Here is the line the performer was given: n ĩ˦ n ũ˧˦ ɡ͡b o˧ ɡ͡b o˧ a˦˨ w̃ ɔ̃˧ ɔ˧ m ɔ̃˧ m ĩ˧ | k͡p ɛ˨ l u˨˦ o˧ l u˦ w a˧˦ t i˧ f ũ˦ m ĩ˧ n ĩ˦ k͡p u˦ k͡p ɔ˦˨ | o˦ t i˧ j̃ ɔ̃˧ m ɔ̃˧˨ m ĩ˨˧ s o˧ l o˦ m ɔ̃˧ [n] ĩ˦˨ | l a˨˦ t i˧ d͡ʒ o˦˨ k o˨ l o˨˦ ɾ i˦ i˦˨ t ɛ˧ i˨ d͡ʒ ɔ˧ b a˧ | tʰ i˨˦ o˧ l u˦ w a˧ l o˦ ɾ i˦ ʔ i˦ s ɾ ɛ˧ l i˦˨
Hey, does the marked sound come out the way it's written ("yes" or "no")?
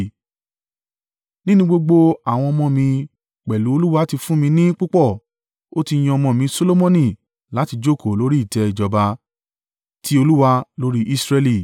yes